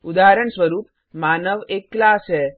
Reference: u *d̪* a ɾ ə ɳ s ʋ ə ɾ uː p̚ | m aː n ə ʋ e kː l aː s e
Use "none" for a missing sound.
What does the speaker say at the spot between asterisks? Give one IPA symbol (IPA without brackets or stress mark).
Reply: d̪